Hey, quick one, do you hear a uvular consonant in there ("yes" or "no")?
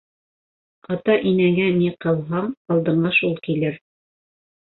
yes